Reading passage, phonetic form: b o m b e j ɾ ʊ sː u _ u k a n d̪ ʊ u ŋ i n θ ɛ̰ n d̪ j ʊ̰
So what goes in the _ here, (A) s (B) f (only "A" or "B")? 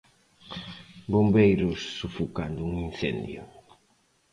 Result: B